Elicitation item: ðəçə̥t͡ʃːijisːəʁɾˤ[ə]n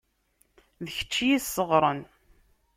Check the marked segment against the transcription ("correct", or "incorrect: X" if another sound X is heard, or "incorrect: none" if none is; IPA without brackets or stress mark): correct